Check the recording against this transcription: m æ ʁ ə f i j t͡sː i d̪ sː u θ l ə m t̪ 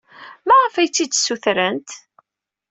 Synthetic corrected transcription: m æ ʁ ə f æ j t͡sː i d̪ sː u θ ɾ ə n t̪